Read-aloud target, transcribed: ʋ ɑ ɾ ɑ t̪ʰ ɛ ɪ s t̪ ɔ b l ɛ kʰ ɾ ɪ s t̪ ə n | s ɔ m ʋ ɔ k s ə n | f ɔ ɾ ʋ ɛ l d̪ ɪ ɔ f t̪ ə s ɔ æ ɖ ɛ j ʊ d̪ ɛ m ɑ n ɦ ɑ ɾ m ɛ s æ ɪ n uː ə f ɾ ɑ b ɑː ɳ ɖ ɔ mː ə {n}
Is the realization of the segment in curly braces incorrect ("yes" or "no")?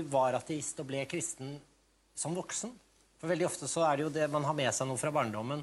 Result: no